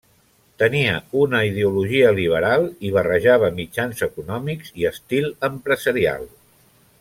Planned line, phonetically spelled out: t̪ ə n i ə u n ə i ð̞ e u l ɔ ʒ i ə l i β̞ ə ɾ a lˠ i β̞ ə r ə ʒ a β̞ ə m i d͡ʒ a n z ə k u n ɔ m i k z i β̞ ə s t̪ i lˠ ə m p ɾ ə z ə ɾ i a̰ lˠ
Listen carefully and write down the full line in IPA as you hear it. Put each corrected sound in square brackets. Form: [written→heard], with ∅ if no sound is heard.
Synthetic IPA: t̪ ə n i ə u n ə i ð̞ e u l [ɔ→u] ʒ i ə l i β̞ ə ɾ a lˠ i β̞ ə r ə ʒ a β̞ ə m i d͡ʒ a n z ə k u n ɔ m i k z i [β̞→∅] ə s t̪ i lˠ ə m p ɾ ə z ə ɾ i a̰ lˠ